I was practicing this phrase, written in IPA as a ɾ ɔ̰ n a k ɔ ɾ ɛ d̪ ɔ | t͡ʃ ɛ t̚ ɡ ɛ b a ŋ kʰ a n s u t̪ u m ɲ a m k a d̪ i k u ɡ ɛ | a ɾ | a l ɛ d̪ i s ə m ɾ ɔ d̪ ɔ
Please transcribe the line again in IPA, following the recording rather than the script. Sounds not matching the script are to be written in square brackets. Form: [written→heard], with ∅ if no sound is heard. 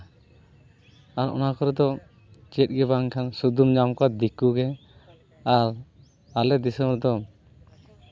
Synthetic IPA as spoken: a ɾ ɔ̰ n a k ɔ ɾ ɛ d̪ ɔ | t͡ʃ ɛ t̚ ɡ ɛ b a ŋ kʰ a n s u [t̪→d̪] u m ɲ a m k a d̪ i k u ɡ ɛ | a ɾ | a l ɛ d̪ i s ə m ɾ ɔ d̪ ɔ